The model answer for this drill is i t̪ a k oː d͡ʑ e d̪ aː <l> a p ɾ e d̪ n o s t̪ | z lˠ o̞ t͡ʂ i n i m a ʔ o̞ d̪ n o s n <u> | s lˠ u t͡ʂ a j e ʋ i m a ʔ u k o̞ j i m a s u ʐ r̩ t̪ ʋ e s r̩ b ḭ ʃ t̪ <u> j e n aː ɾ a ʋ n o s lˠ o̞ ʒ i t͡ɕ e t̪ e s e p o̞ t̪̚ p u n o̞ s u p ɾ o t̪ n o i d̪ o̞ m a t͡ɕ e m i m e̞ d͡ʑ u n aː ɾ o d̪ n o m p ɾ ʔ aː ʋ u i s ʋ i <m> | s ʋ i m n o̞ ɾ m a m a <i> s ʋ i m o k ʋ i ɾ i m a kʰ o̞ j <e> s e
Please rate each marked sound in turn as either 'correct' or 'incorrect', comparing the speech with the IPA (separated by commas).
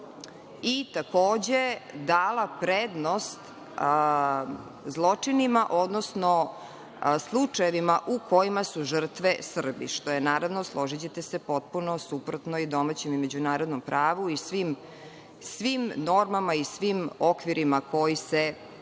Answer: correct, incorrect, incorrect, correct, correct, incorrect